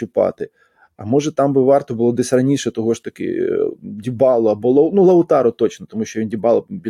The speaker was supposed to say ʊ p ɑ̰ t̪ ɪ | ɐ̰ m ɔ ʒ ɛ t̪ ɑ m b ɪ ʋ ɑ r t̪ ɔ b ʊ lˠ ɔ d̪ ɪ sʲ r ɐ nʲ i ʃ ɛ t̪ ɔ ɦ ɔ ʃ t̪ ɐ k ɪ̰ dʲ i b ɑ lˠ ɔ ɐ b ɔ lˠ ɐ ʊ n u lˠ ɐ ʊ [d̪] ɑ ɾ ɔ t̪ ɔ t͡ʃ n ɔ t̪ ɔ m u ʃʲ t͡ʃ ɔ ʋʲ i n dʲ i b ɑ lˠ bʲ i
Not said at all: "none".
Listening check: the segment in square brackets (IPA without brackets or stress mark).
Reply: t̪